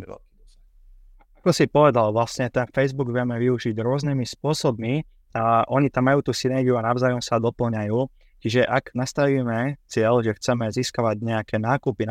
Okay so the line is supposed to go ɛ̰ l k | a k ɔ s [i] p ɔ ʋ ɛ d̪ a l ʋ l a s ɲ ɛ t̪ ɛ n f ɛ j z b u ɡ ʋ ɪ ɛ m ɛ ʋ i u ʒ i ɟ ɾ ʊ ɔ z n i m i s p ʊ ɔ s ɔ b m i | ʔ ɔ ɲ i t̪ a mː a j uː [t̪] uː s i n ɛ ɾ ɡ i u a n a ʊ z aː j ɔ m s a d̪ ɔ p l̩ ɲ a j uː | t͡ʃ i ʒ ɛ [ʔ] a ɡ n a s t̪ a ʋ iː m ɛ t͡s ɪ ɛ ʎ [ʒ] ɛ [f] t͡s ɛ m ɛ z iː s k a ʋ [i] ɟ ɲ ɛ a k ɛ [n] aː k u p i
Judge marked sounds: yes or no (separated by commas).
yes, yes, yes, yes, no, no, yes